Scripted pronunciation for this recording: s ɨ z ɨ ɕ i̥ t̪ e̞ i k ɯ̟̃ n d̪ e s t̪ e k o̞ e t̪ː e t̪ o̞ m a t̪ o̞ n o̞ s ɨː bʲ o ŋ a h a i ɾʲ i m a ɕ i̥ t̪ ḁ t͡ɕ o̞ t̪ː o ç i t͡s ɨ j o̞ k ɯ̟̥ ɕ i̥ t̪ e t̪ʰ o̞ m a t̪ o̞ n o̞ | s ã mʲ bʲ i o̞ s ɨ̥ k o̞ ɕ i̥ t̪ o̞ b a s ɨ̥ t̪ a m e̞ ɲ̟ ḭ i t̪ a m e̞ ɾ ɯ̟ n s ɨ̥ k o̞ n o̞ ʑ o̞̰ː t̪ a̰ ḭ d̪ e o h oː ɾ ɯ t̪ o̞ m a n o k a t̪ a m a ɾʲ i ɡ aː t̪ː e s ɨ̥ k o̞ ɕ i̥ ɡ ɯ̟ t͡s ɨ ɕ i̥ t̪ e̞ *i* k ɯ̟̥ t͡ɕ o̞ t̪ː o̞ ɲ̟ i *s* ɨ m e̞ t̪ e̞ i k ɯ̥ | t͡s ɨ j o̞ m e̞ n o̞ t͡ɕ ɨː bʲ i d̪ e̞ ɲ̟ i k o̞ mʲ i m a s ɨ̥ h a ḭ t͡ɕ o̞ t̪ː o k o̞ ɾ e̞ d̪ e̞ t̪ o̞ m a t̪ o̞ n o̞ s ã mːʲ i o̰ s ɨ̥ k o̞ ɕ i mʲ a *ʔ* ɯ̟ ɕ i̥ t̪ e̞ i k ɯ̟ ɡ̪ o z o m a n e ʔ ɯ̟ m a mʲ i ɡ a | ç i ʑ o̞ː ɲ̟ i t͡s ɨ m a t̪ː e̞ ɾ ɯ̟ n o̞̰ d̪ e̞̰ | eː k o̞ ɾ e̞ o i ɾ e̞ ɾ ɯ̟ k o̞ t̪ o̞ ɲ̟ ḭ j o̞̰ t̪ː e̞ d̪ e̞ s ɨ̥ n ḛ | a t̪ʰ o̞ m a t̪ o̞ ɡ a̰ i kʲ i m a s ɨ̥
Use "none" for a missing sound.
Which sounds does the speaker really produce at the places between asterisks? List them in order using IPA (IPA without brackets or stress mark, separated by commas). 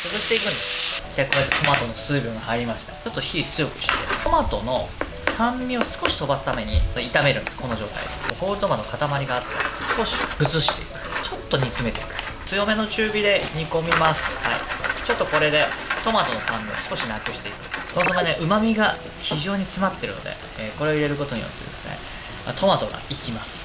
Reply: i, t͡s, k